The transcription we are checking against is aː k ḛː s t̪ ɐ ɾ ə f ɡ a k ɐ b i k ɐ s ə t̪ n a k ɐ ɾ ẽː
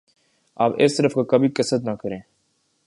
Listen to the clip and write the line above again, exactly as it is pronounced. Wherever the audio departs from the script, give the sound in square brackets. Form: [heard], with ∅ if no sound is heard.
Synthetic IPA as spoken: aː [p] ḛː s t̪ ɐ ɾ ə f [k] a k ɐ b i k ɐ s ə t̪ n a k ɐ ɾ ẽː